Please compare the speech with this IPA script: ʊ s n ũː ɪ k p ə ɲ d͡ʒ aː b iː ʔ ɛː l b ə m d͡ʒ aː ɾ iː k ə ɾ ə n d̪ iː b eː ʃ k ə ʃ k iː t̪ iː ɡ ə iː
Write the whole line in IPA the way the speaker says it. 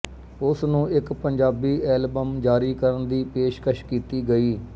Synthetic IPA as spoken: ʊ s n ũː ɪ k p ə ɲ d͡ʒ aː b iː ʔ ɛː l b ə m d͡ʒ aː ɾ iː k ə ɾ ə n d̪ iː p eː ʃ k ə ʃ k iː t̪ iː ɡ ə iː